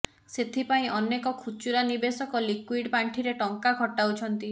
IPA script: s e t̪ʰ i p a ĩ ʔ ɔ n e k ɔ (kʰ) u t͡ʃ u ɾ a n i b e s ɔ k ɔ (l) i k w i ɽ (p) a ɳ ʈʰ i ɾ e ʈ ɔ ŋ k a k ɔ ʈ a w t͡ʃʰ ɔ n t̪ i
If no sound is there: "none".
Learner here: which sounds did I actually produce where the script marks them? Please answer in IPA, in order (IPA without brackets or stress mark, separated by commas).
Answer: kʰ, l, p